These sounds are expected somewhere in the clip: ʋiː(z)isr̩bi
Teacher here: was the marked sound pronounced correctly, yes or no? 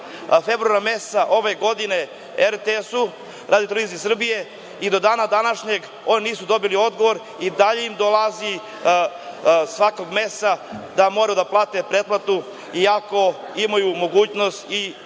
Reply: yes